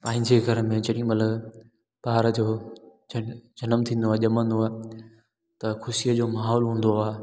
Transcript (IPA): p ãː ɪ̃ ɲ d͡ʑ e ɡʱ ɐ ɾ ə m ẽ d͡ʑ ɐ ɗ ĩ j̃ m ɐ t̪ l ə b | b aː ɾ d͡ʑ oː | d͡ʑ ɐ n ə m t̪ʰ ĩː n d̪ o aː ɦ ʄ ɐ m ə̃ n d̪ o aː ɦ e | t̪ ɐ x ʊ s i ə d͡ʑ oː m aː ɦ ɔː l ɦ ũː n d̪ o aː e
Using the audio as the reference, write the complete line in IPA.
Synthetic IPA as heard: p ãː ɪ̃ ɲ d͡ʑ e ɡʱ ɐ ɾ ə m ẽ d͡ʑ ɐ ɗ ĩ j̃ m ɐ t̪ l ə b | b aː ɾ d͡ʑ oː | d͡ʑ ɐ n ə m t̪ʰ ĩː n d̪ o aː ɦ ʄ ɐ m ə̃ n d̪ o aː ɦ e | t̪ ɐ x ʊ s i ə d͡ʑ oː m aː ɦ ɔː l ɦ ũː n d̪ o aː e